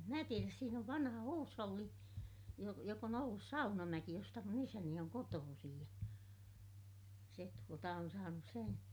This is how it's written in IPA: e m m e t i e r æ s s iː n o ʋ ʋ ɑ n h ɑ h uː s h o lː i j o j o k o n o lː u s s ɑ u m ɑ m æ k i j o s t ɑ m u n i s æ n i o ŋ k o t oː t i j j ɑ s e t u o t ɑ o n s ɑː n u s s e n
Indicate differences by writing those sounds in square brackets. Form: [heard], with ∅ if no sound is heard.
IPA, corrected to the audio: e m m [æ] t i e r æ s s iː n o ʋ ʋ ɑ n h ɑ h uː s h o lː i j o j o k o n o lː u s s ɑ u [n] ɑ m æ k i j o s t ɑ m u n i s æ n i o ŋ k o t oː [s] i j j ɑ s e t u o t ɑ o n s ɑː n u s s e n